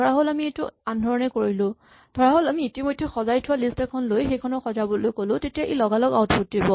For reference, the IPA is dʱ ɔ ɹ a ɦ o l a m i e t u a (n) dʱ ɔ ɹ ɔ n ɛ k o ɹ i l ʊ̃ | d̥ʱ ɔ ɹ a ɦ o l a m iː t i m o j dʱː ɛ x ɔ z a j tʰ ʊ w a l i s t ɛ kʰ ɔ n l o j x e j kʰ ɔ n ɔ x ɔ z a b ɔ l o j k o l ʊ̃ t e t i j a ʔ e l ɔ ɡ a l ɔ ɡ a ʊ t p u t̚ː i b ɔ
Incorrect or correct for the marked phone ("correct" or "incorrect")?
correct